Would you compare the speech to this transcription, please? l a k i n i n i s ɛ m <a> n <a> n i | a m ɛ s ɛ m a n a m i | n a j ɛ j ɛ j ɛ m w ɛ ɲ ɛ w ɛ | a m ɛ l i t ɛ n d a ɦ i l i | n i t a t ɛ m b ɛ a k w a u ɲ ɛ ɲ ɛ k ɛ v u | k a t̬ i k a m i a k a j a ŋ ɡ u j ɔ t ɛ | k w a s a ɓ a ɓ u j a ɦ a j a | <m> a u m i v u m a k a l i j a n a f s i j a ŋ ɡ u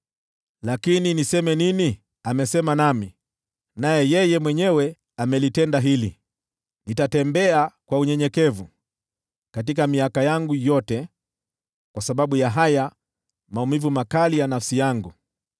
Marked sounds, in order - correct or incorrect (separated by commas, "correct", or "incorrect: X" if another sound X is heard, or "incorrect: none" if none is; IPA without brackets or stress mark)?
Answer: incorrect: ɛ, incorrect: i, correct